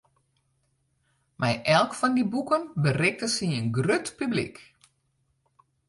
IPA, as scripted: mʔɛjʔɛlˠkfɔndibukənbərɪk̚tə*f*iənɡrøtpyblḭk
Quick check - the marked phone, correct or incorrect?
incorrect